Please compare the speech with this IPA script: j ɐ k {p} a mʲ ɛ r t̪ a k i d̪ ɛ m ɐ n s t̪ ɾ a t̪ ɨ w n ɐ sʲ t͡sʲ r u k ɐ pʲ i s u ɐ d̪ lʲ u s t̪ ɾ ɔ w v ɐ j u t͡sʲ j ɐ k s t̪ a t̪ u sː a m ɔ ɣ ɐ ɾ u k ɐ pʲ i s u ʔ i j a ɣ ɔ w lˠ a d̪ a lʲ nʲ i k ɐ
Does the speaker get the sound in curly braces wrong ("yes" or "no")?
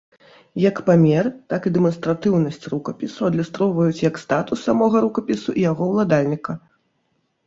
no